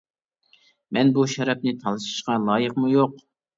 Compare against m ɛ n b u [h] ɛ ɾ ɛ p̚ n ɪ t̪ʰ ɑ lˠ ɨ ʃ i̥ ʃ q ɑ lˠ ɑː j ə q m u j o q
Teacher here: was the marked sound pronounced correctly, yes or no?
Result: no